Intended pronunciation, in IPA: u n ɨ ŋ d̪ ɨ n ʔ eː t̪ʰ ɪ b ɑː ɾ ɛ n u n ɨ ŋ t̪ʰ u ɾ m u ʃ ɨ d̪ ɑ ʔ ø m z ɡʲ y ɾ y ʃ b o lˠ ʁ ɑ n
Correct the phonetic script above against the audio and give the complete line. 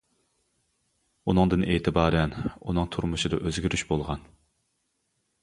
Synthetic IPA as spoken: u n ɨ ŋ d̪ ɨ n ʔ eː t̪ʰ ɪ b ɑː ɾ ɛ n u n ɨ ŋ t̪ʰ u ɾ m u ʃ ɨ d̪ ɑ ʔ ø z ɡʲ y ɾ y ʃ b o lˠ ʁ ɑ n